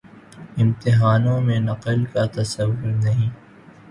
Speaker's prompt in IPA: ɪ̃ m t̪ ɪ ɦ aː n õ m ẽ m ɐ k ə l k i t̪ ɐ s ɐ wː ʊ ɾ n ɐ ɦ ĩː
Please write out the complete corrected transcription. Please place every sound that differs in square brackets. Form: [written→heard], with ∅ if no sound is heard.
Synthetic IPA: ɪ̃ m t̪ ɪ ɦ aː n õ m ẽ [m→n] ɐ [k→q] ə l k [i→a] t̪ ɐ s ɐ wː ʊ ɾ n ɐ ɦ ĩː